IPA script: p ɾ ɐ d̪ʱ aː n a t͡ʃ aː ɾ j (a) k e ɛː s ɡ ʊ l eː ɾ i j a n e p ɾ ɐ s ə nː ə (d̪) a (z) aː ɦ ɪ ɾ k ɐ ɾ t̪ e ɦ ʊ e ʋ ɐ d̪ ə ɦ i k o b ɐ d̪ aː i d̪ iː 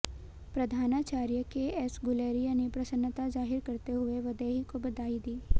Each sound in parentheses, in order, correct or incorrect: incorrect: ə, incorrect: t̪, correct

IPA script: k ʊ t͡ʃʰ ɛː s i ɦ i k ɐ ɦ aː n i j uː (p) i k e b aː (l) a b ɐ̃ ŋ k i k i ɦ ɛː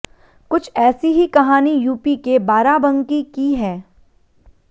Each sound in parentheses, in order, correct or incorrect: correct, incorrect: ɾ

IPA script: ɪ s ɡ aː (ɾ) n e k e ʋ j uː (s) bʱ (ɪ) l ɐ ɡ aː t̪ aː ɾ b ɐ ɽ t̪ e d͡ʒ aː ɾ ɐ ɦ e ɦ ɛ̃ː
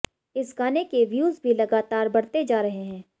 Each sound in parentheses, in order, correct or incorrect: incorrect: none, incorrect: z, incorrect: i

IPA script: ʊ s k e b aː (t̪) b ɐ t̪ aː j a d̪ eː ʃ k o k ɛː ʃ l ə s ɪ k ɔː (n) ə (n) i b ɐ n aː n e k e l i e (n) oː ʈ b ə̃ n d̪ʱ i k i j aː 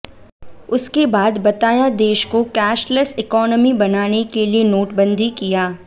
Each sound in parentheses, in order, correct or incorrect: incorrect: d̪, correct, incorrect: m, correct

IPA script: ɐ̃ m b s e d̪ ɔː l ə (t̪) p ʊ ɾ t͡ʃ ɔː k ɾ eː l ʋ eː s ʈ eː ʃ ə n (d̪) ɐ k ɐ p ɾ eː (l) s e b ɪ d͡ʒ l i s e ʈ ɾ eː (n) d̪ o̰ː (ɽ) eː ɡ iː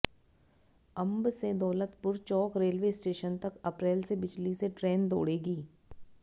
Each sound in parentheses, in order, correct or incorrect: correct, incorrect: t̪, correct, correct, correct

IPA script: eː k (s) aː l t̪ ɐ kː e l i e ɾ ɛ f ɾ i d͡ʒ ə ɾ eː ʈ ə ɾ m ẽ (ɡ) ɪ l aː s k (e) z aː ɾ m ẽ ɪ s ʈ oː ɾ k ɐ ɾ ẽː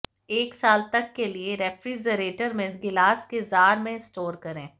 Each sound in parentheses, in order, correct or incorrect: correct, correct, correct

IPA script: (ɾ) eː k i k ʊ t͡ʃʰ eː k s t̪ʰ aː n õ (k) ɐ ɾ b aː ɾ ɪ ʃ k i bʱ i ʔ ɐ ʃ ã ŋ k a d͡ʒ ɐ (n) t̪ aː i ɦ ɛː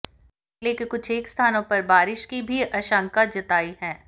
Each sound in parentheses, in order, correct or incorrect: incorrect: l, incorrect: p, incorrect: none

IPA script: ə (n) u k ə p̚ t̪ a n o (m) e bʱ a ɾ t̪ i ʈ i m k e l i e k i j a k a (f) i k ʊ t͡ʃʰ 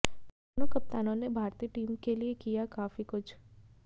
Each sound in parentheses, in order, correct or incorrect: correct, incorrect: n, correct

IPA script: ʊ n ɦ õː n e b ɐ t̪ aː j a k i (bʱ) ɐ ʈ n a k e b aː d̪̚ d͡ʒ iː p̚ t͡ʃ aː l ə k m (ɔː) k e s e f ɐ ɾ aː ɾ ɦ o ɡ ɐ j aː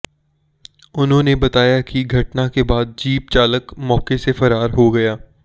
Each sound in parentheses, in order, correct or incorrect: incorrect: ɡʱ, correct

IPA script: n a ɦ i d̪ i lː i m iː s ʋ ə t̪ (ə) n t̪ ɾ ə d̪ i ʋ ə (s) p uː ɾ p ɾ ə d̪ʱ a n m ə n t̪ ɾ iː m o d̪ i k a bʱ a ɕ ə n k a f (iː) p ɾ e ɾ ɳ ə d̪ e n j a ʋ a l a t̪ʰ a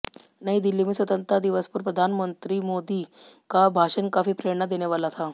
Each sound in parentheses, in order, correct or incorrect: correct, correct, correct

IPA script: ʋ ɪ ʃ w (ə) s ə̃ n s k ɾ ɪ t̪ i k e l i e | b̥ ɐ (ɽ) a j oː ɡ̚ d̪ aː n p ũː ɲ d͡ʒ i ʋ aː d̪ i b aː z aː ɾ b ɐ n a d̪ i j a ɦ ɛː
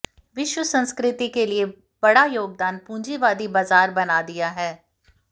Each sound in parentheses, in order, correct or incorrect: correct, correct

